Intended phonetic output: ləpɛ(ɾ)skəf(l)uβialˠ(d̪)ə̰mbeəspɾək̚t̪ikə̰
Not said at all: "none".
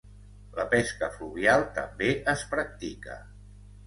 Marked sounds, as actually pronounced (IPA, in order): none, l, t̪

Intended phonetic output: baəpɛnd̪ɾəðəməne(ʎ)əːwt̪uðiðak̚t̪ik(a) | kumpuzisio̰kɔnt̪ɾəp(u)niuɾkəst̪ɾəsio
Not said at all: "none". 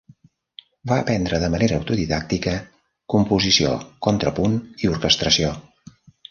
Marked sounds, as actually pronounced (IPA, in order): ɾ, ə, u

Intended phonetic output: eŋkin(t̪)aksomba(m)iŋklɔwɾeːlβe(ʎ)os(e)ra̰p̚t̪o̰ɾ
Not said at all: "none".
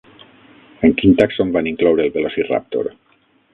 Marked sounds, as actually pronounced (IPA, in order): t̪, n, l, i

